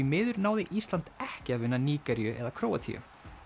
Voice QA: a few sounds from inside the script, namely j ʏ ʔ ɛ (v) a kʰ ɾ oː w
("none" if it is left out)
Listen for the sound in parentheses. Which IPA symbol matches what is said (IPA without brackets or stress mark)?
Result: ð